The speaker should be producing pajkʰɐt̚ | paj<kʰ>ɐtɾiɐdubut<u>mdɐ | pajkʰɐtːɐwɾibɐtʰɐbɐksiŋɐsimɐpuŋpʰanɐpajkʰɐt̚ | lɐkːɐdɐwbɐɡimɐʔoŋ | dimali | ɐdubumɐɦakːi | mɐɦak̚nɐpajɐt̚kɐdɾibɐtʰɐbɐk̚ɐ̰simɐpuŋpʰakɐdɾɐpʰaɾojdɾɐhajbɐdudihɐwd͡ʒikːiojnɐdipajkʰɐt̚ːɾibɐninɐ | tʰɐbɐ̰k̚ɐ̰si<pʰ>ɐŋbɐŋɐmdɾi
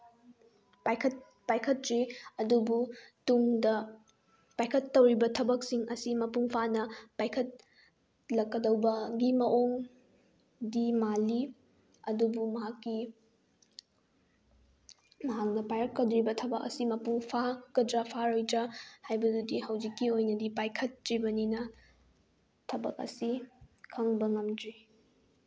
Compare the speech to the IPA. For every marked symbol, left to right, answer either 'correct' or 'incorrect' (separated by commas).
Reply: correct, correct, incorrect